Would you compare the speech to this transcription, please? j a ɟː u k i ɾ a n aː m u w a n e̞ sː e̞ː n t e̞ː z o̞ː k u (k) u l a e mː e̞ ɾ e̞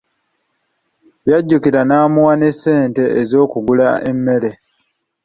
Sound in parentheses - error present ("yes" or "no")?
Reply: yes